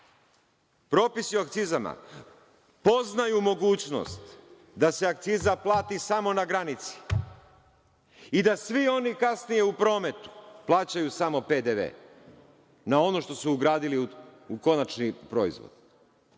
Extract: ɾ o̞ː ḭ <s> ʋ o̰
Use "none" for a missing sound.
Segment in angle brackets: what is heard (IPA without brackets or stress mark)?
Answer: z